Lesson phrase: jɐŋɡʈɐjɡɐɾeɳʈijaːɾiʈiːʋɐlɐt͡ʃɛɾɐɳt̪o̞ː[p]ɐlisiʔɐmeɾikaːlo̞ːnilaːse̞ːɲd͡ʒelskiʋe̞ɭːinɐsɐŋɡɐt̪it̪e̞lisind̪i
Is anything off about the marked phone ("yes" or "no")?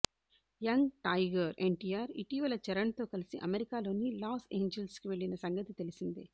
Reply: yes